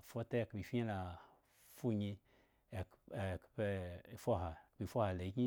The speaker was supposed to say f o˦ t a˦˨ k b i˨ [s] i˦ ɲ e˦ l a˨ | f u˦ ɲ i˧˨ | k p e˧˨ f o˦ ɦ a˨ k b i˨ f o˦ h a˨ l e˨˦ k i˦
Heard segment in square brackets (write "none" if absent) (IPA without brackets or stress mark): f